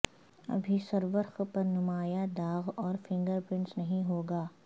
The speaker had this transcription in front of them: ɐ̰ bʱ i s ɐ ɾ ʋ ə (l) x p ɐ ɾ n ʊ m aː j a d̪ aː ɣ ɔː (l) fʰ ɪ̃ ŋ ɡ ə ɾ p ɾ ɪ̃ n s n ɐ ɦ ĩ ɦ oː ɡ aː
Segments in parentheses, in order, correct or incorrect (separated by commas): incorrect, incorrect